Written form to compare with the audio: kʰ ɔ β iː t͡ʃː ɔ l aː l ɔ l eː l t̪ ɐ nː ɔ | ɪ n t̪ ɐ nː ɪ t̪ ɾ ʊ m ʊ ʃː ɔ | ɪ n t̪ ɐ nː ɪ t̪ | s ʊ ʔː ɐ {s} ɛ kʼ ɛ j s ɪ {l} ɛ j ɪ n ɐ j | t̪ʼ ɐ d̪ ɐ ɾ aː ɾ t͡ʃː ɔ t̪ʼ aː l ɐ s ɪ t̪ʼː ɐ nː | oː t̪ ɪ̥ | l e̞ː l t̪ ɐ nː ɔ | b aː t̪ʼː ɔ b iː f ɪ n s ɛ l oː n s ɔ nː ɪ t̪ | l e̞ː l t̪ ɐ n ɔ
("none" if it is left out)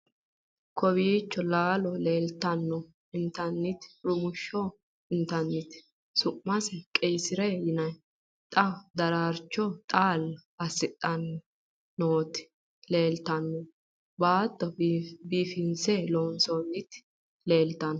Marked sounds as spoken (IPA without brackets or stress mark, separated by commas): s, ɾ